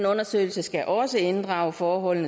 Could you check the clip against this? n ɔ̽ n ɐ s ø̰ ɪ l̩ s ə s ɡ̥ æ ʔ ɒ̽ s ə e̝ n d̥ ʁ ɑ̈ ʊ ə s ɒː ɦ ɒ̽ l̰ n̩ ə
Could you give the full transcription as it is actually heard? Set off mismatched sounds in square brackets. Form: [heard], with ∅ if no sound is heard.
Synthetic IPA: n ɔ̽ n ɐ s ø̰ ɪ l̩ s ə s ɡ̥ æ ʔ ɒ̽ s ə e̝ n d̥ ʁ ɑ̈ ʊ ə [f] ɒː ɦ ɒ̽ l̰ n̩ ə